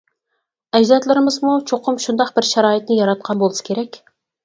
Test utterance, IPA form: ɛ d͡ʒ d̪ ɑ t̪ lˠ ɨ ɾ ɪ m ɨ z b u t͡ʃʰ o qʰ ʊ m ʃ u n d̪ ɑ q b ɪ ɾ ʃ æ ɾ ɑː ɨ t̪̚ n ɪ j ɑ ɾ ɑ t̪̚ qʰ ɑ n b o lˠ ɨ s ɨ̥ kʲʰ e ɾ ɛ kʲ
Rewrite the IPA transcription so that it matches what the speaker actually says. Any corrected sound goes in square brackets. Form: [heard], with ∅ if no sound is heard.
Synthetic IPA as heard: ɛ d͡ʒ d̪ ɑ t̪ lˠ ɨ ɾ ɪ m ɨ z [m] u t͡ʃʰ o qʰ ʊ m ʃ u n d̪ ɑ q b ɪ ɾ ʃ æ ɾ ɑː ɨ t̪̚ n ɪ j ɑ ɾ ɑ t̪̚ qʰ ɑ n b o lˠ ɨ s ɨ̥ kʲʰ e ɾ ɛ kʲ